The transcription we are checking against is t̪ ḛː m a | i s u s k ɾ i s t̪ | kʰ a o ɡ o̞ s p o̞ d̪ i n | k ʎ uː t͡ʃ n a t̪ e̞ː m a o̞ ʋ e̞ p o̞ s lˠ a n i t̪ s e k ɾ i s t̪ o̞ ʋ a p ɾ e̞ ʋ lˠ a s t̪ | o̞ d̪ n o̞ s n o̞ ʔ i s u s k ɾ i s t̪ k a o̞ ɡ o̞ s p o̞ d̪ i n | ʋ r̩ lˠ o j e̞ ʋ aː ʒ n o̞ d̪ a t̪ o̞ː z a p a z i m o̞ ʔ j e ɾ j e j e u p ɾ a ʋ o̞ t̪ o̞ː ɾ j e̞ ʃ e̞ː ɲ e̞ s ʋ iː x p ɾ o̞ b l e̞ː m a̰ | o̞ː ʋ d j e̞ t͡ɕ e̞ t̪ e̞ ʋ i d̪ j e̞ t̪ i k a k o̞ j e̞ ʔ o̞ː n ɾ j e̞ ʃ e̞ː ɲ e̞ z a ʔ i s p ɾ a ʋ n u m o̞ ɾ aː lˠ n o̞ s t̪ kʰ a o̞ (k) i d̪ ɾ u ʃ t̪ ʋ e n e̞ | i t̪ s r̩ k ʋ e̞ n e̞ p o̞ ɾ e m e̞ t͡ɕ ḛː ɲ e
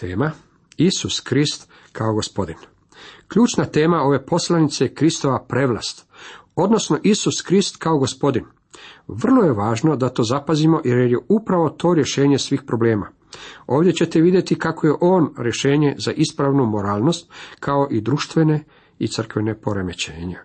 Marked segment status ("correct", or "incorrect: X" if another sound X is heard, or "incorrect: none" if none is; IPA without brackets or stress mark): incorrect: ʔ